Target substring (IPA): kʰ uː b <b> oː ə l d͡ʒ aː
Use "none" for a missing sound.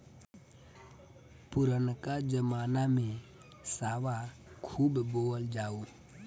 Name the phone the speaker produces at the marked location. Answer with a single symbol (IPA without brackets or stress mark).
b